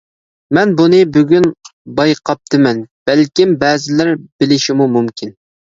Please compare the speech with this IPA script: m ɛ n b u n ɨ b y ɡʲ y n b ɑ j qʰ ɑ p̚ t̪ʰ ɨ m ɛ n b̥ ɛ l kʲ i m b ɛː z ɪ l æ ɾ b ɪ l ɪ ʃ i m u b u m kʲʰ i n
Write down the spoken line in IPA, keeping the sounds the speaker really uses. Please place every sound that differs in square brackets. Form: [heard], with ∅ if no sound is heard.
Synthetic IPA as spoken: m ɛ n b u n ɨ b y ɡʲ y n b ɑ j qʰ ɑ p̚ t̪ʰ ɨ m ɛ n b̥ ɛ l kʲ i m b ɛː z ɪ l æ ɾ b ɪ l ɪ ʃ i m u [m] u m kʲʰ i n